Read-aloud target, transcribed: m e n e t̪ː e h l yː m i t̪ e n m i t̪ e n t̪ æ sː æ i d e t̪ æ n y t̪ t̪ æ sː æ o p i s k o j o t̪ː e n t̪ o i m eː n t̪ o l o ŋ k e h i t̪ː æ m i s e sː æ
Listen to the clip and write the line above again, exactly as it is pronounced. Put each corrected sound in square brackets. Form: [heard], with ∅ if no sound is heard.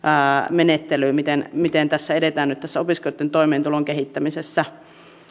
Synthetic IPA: m e n e t̪ː e [∅] l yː m i t̪ e n m i t̪ e n t̪ æ sː æ [e] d e t̪ [æː] n y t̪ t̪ æ sː æ o p i s k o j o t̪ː e n t̪ o i m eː n t̪ [u] l o ŋ k e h i t̪ː æ m i s e sː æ